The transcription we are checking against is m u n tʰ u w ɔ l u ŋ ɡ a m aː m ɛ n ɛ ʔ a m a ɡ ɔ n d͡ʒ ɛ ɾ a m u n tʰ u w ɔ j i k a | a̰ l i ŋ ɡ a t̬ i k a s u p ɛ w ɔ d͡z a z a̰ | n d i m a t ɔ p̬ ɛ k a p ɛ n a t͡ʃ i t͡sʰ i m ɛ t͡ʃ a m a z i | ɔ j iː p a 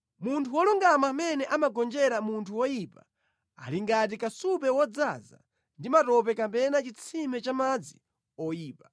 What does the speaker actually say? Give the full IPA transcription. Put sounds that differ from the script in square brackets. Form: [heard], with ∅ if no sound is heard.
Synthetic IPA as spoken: m u n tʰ u w ɔ l u ŋ ɡ a m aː m ɛ n ɛ ʔ a m a ɡ ɔ n d͡ʒ ɛ ɾ a m u n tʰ u w ɔ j i [p] a | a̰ l i ŋ ɡ a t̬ i k a s u p ɛ w ɔ d͡z a z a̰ | n d i m a t ɔ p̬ ɛ k a p ɛ n a t͡ʃ i t͡sʰ i m ɛ t͡ʃ a m a [d͡z] i | ɔ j iː p a

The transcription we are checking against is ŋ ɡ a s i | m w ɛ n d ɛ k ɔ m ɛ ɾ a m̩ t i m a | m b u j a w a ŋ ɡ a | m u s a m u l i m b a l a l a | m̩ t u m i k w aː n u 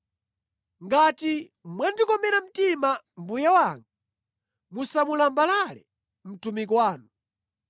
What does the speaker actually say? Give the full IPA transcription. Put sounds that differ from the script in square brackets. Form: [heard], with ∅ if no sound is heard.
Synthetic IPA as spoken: ŋ ɡ a [t] i | m w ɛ n d [i] k ɔ m ɛ ɾ a m̩ t i m a | m b u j a w a ŋ ɡ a | m u s a m u l [a] m b a l a l [ɛ] | m̩ t u m i k w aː n u

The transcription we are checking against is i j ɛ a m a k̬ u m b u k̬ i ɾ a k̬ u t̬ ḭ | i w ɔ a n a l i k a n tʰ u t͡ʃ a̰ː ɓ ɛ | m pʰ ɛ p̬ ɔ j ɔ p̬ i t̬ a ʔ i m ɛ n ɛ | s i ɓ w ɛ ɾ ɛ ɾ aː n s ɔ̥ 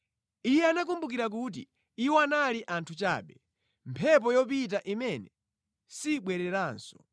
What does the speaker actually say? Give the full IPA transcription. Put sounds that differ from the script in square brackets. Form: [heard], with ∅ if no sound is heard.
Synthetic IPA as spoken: i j ɛ a [n] a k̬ u m b u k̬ i ɾ a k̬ u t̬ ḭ | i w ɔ a n a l i [ʔ] a n tʰ u t͡ʃ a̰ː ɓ ɛ | m pʰ ɛ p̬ ɔ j ɔ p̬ i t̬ a ʔ i m ɛ n ɛ | s i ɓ w ɛ ɾ ɛ ɾ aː n s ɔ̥

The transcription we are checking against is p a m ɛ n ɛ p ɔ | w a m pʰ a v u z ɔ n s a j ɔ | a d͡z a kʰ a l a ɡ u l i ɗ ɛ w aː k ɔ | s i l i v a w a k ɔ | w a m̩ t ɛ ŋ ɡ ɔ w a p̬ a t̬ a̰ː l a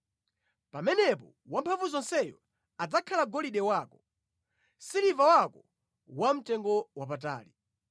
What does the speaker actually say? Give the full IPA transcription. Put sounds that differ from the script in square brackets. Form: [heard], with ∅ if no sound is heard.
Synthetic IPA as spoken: p a m ɛ n ɛ p ɔ | w a m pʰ a v u z ɔ n s [ɛ] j ɔ | a d͡z a kʰ a l a ɡ [ɔ] l i ɗ ɛ w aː k ɔ | s i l i v a w a k ɔ | w a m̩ t ɛ ŋ ɡ ɔ w a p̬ a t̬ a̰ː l [i]

